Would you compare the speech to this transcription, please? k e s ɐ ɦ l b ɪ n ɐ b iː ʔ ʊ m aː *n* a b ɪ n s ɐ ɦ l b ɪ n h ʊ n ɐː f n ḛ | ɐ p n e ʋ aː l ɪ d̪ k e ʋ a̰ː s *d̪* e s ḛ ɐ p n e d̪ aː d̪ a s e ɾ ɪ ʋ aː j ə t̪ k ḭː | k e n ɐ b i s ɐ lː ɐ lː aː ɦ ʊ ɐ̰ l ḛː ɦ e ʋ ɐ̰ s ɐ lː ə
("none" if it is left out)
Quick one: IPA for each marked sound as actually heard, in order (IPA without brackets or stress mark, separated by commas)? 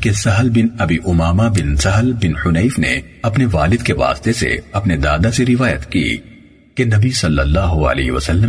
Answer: m, t̪